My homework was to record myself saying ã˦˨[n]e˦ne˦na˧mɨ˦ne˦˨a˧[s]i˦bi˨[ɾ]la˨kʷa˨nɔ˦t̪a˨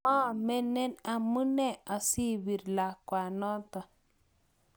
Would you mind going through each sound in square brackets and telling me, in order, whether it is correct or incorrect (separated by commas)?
incorrect, correct, correct